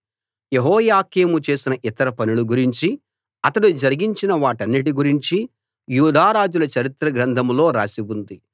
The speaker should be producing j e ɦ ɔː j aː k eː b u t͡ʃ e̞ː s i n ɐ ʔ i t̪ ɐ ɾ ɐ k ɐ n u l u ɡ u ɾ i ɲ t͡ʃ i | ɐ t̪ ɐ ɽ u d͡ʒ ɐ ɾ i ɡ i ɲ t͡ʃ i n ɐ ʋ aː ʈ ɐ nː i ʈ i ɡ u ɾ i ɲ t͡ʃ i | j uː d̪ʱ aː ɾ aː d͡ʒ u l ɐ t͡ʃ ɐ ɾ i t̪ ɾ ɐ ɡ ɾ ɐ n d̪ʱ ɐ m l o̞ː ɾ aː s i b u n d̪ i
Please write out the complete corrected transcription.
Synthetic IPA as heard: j e ɦ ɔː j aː k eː m u t͡ʃ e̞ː s i n ɐ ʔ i t̪ ɐ ɾ ɐ p ɐ n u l u ɡ u ɾ i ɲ t͡ʃ i | ɐ t̪ ɐ ɽ u d͡ʒ ɐ ɾ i ɡ i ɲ t͡ʃ i n ɐ ʋ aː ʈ ɐ nː i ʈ i ɡ u ɾ i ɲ t͡ʃ i | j uː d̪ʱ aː ɾ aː d͡ʒ u l ɐ t͡ʃ ɐ ɾ i t̪ ɾ ɐ ɡ ɾ ɐ n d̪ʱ ɐ m l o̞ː ɾ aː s i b u n d̪ i

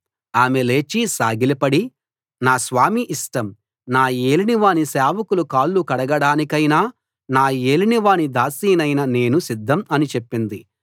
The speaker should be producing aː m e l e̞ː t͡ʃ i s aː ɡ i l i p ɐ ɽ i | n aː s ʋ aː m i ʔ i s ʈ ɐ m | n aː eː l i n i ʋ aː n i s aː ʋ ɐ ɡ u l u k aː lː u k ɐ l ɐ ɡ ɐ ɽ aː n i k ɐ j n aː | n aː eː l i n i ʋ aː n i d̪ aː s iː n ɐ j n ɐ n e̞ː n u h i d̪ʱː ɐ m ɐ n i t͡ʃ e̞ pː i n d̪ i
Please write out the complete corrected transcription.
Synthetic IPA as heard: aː m e l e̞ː t͡ʃ i s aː ɡ i l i p ɐ ɽ i | n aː s ʋ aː m i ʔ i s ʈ ɐ m | n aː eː l i n i ʋ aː n i s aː ʋ ɐ k u l u k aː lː u k ɐ ɽ ɐ ɡ ɐ ɽ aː n i k ɐ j n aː | n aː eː l i n i ʋ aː n i d̪ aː s iː n ɐ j n ɐ n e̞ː n u s i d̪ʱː ɐ m ɐ n i t͡ʃ e̞ pː i n d̪ i

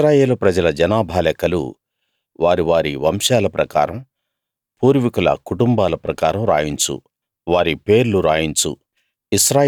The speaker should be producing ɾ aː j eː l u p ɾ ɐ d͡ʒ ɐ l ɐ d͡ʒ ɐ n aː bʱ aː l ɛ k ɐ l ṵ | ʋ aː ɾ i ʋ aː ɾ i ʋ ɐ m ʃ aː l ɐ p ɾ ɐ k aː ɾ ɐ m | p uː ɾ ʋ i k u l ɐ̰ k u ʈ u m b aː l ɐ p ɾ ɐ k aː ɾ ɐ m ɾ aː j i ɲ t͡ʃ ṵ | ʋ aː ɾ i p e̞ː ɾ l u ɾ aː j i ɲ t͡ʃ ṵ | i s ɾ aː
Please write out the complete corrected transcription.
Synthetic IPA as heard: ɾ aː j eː l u p ɾ ɐ d͡ʒ ɐ l ɐ d͡ʒ ɐ n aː bʱ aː l ɛ k ɐ l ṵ | ʋ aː ɾ i ʋ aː ɾ i ʋ ɐ m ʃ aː l ɐ p ɾ ɐ k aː ɾ ɐ m | p uː ɾ ʋ i k u l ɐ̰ k u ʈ u m b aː l ɐ p ɾ ɐ k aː ɾ ɐ m ɾ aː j i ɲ t͡ʃ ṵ | ʋ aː ɾ i p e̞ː ɾ l u ɾ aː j i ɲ t͡ʃ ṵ | i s ɾ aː

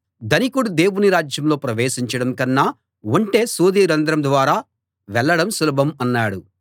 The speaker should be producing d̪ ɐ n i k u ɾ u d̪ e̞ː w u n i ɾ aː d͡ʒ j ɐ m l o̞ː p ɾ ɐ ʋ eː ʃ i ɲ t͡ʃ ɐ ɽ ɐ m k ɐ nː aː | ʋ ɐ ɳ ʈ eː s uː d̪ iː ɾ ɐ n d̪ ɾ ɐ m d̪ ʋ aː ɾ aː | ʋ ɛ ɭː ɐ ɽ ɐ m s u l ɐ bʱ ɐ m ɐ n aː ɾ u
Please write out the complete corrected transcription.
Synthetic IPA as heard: d̪ ɐ n i k u ɽ u d̪ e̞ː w u n i ɾ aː d͡ʒ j ɐ m l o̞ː p ɾ ɐ ʋ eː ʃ i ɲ t͡ʃ ɐ ɽ ɐ m k ɐ nː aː | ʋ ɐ ɳ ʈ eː s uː d̪ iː ɾ ɐ n d̪ ɾ ɐ m d̪ ʋ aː ɾ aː | ʋ ɛ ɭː ɐ ɽ ɐ m s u l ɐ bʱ ɐ m ɐ nː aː ɽ u

